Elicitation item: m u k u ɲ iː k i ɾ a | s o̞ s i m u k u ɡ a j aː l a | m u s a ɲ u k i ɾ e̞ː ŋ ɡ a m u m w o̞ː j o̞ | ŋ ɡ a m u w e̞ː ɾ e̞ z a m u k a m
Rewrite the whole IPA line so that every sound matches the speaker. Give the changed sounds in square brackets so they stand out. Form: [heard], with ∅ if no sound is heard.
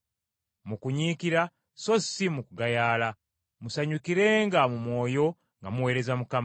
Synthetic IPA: m u k u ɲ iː k i ɾ a | s o̞ s i m u k u ɡ a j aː l a | m u s a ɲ u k i ɾ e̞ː ŋ ɡ a m u m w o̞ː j o̞ | ŋ ɡ a m u w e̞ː ɾ e̞ z a m u k a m